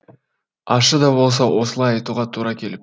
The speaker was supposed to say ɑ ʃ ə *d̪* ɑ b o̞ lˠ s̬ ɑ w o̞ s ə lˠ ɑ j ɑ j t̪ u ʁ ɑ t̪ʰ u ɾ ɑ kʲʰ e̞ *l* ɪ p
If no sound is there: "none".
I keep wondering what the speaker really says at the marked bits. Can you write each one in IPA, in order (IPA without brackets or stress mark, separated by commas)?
d̪, l